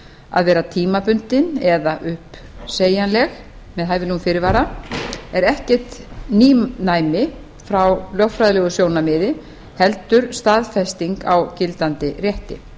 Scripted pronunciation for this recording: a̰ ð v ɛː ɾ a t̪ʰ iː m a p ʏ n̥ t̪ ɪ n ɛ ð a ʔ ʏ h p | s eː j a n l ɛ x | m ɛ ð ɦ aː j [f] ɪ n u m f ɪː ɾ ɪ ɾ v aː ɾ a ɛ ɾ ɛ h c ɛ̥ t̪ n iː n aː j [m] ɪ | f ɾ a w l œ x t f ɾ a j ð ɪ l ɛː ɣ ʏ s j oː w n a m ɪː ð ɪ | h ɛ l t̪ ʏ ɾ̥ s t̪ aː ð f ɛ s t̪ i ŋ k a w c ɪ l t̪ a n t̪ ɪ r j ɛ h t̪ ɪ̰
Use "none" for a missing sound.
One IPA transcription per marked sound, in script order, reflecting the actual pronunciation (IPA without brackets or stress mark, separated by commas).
v, m